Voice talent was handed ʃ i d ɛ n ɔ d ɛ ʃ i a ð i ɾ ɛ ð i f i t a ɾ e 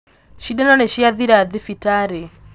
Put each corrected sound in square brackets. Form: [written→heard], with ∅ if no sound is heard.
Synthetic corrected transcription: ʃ i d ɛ n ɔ [d→n] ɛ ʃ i a ð i ɾ [ɛ→a] ð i f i t a ɾ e